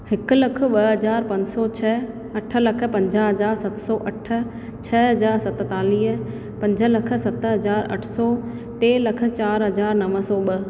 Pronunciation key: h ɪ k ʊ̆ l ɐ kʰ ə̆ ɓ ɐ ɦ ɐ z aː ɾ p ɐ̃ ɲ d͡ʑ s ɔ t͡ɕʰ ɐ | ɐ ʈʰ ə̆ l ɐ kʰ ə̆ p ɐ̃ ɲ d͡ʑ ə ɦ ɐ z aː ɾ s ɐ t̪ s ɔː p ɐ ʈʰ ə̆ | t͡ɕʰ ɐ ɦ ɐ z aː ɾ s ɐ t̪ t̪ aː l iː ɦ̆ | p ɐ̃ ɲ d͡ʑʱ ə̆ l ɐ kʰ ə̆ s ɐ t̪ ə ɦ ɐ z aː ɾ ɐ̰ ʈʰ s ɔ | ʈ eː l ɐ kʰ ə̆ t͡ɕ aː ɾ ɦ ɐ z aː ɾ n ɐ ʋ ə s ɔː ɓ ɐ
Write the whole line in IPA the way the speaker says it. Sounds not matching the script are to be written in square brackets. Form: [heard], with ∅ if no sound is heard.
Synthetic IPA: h ɪ k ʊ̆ l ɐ kʰ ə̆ ɓ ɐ ɦ ɐ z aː ɾ p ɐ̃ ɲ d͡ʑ s ɔ t͡ɕʰ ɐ | ɐ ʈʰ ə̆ l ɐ kʰ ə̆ p ɐ̃ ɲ d͡ʑ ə ɦ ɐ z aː ɾ s ɐ t̪ s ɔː [ʔ] ɐ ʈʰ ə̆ | t͡ɕʰ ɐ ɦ ɐ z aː ɾ s ɐ t̪ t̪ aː l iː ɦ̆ | p ɐ̃ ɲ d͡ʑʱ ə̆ l ɐ kʰ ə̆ s ɐ t̪ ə ɦ ɐ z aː ɾ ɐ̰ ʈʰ s ɔ | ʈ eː l ɐ kʰ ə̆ t͡ɕ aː ɾ ɦ ɐ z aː ɾ n ɐ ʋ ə s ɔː ɓ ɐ

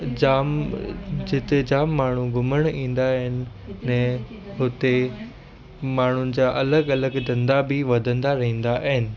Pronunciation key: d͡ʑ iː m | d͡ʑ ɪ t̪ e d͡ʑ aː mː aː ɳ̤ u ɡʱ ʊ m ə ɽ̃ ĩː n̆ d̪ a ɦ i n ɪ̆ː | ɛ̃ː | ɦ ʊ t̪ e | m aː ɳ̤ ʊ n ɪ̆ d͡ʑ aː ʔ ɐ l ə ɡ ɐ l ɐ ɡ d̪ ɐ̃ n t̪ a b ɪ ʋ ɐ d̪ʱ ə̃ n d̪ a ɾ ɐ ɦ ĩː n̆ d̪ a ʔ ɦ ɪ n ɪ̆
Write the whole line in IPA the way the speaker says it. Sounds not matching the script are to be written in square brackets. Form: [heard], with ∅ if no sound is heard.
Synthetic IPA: d͡ʑ [aː] m | d͡ʑ ɪ t̪ e d͡ʑ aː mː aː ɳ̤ u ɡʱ ʊ m ə ɽ̃ ĩː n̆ d̪ a ɦ [ɪ] n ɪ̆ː | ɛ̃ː | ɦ ʊ t̪ e | m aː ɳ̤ ʊ n ɪ̆ d͡ʑ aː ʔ ɐ l ə ɡ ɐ l [ə] ɡ d̪ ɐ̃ n [d̪] a b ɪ ʋ ɐ d̪ʱ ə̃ n d̪ a ɾ ɐ ɦ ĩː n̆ d̪ a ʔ ɦ ɪ n ɪ̆

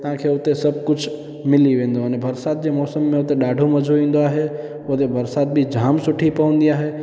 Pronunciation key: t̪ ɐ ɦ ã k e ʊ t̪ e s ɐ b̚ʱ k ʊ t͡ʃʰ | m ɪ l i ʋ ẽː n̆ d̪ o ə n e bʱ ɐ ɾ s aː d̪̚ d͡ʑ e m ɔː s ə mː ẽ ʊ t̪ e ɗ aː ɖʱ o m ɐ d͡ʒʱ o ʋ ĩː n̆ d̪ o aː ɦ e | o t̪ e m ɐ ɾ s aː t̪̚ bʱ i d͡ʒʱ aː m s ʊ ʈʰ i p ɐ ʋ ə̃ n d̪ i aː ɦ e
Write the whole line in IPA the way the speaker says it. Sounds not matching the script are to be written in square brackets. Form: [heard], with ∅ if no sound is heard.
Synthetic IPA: t̪ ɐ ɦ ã [kʰ] e ʊ t̪ e s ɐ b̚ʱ k ʊ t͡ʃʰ | m ɪ l i ʋ ẽː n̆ d̪ o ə n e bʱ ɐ ɾ s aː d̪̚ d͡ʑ e m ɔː s ə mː ẽ ʊ t̪ e ɗ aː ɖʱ o m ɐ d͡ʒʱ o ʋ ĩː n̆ d̪ o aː ɦ e | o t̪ e [b] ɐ ɾ s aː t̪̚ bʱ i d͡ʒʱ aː m s ʊ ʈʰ i p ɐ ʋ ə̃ n d̪ i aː ɦ e

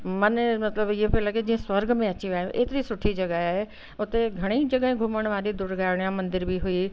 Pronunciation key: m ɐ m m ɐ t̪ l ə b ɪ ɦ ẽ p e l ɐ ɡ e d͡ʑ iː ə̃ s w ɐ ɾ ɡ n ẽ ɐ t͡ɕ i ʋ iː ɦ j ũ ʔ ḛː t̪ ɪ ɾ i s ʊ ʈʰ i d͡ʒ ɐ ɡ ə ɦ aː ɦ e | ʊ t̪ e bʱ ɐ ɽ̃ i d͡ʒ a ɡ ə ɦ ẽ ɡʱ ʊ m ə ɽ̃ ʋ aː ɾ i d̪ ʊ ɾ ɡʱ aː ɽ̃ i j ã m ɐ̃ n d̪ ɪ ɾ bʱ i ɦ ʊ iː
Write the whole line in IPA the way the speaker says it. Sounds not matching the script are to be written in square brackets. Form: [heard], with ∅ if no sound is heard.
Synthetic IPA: m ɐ [n] m ɐ t̪ l ə b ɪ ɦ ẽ p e l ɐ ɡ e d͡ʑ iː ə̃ s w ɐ ɾ ɡ [m] ẽ ɐ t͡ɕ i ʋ [aː] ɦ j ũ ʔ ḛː t̪ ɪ ɾ i s ʊ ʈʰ i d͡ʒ ɐ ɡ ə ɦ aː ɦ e | ʊ t̪ e [ɡʱ] ɐ ɽ̃ i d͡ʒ [ɐ] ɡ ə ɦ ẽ ɡʱ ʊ m ə ɽ̃ ʋ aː ɾ i d̪ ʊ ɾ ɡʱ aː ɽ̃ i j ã m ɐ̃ n d̪ ɪ ɾ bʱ i ɦ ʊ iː

